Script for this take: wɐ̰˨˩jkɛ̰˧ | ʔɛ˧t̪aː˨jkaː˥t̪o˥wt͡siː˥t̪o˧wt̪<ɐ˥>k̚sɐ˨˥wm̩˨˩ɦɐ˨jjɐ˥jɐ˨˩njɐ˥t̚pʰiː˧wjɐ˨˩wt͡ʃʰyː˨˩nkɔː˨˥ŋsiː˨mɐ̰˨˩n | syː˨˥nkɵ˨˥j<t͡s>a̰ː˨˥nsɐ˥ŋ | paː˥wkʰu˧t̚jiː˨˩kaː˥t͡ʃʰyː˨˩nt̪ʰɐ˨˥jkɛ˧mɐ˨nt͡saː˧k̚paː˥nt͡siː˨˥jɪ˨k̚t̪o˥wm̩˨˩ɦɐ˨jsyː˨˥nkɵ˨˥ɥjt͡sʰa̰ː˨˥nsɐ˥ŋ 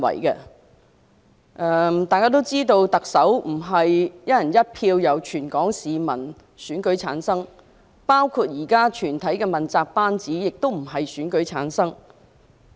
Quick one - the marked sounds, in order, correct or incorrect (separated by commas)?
incorrect, incorrect